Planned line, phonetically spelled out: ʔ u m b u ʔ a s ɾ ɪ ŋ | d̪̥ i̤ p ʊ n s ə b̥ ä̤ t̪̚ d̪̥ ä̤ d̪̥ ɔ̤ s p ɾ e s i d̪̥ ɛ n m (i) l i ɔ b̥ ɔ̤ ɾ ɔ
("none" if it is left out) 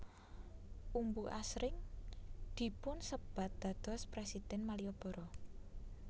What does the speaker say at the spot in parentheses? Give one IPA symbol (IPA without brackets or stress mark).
a